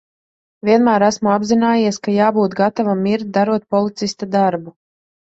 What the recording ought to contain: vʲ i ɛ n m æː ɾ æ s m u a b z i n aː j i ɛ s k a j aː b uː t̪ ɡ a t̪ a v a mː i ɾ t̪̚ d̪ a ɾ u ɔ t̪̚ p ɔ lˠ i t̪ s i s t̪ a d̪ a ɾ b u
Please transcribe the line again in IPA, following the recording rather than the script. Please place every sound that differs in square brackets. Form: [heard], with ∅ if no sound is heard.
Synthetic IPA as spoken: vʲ i ɛ n m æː ɾ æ s m u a b z i n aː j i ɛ s k a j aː b uː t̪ ɡ a t̪ a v a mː i ɾ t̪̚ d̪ a ɾ u ɔ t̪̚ p ɔ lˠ i t̪ s i s t̪ a d̪ a ɾ b u